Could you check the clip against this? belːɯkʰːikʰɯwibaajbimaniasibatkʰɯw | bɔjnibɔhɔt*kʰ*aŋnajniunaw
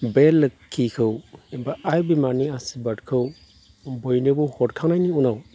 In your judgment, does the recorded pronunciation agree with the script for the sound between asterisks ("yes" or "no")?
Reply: yes